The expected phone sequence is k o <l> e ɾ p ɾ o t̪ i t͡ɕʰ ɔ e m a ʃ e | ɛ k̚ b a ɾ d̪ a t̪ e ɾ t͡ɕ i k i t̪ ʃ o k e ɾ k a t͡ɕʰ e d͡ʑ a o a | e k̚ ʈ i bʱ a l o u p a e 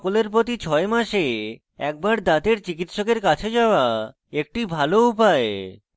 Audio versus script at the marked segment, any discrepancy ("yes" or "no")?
no